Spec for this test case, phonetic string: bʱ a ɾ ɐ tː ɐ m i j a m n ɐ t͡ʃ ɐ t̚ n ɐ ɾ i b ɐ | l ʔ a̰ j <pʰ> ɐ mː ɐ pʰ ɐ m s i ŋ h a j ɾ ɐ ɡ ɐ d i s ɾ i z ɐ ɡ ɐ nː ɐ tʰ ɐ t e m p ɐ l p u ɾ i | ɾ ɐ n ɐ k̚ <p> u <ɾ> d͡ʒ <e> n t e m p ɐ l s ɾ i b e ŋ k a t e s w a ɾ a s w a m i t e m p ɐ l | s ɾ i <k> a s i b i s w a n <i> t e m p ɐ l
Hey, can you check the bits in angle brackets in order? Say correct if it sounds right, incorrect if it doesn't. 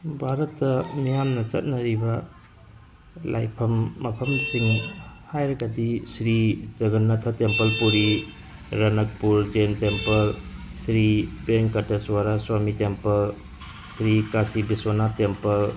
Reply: correct, correct, correct, correct, correct, incorrect: a

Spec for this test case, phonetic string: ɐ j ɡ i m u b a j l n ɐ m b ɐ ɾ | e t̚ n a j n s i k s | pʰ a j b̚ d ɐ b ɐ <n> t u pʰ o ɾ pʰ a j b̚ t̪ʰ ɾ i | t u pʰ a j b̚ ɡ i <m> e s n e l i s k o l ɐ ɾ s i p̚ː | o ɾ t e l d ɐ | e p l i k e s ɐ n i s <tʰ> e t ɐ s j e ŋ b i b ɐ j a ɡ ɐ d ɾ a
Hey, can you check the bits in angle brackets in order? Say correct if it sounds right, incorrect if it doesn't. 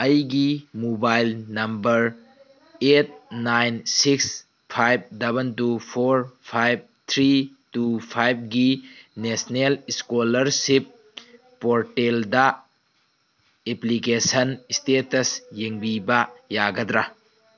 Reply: correct, incorrect: n, incorrect: t

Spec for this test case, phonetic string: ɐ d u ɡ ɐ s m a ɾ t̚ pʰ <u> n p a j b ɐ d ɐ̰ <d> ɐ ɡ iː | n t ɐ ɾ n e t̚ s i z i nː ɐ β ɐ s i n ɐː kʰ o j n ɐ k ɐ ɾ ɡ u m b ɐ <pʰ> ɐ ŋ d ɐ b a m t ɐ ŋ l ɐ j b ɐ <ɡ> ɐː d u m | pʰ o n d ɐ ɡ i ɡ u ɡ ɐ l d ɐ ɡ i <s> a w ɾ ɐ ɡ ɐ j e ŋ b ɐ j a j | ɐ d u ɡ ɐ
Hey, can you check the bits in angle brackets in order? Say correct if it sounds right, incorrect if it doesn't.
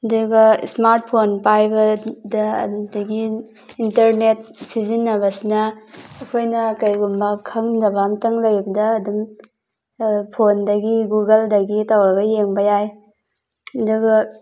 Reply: incorrect: o, correct, incorrect: kʰ, incorrect: d, incorrect: t

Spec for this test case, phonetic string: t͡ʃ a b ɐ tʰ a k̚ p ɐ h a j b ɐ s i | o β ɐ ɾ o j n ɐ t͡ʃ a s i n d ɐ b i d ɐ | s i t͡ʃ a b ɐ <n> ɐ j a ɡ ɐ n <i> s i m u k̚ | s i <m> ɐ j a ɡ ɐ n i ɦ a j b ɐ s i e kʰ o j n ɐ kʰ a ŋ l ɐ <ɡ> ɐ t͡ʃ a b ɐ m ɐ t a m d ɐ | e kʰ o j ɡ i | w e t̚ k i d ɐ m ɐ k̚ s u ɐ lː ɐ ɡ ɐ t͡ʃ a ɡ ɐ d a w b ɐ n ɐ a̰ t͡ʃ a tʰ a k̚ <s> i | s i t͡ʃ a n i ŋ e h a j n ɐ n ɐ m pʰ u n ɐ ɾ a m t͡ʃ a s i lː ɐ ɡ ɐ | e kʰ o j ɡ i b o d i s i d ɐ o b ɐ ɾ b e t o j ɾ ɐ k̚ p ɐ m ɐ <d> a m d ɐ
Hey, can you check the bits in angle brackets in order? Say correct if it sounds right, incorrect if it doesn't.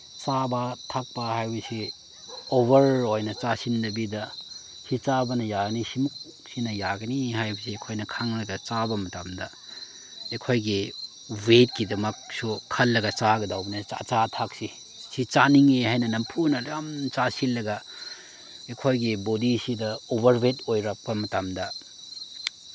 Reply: correct, correct, incorrect: n, correct, correct, incorrect: t

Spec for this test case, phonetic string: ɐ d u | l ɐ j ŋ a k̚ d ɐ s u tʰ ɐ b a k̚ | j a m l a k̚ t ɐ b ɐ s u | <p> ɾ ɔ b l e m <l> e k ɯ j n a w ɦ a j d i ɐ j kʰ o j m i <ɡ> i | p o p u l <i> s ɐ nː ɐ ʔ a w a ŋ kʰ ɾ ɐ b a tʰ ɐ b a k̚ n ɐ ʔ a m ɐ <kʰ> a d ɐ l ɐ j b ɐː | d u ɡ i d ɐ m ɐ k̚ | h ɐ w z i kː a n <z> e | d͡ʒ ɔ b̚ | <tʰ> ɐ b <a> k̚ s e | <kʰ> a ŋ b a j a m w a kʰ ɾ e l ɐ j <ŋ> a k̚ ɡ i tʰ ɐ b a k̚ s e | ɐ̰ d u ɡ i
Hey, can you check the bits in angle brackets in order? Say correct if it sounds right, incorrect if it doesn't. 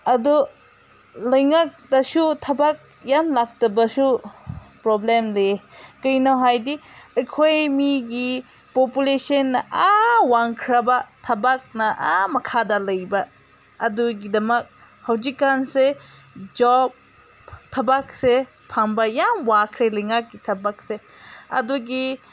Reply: correct, correct, correct, incorrect: e, correct, incorrect: s, correct, correct, incorrect: pʰ, correct

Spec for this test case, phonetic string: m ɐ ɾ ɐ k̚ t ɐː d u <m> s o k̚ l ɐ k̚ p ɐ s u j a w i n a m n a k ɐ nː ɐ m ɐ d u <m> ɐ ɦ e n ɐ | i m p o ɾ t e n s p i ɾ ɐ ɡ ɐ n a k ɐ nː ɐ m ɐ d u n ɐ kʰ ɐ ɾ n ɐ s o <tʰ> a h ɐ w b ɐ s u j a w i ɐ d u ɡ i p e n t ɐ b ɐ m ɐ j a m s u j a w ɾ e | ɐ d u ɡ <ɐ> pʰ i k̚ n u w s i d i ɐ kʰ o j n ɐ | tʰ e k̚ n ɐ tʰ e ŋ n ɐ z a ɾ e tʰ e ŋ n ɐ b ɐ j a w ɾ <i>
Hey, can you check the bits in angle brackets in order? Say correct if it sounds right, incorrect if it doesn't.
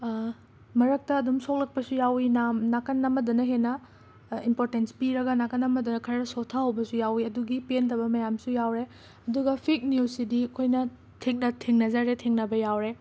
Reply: correct, incorrect: n, correct, correct, incorrect: e

